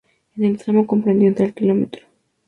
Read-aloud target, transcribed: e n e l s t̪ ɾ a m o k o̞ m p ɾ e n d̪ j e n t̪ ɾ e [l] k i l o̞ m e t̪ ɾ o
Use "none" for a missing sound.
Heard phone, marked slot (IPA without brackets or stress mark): l